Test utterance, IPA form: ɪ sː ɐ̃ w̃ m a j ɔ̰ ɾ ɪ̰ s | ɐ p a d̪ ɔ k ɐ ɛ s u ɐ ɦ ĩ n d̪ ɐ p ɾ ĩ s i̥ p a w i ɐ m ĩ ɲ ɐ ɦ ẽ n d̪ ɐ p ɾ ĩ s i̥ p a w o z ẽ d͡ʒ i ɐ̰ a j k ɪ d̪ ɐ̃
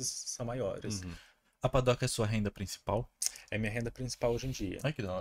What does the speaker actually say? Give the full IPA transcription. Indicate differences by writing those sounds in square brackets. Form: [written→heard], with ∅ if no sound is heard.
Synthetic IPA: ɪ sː ɐ̃ w̃ m a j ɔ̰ ɾ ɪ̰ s | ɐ p a d̪ ɔ k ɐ ɛ s u ɐ ɦ [ĩ→ẽ] n d̪ ɐ p ɾ ĩ s i̥ p a w [i→ɛ] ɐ m ĩ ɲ ɐ ɦ ẽ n d̪ ɐ p ɾ ĩ s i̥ p a w o [z→ʒ] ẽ d͡ʒ i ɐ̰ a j k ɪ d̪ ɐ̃